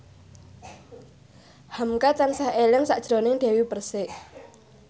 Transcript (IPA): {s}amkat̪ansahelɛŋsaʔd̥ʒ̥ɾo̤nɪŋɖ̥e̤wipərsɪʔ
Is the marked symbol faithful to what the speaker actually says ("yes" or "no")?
no